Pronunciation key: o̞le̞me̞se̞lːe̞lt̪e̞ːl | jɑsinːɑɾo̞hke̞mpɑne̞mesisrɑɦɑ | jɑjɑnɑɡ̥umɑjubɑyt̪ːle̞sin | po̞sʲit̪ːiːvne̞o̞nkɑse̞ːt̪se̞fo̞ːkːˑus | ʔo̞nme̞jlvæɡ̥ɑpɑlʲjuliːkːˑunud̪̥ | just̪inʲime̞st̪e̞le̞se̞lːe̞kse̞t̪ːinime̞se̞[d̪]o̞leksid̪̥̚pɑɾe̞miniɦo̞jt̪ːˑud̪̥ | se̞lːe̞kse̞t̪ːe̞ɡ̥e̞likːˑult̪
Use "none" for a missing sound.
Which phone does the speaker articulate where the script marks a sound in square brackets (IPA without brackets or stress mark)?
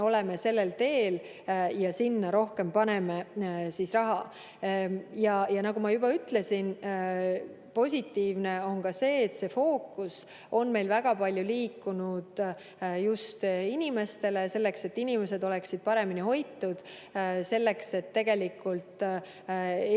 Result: d̪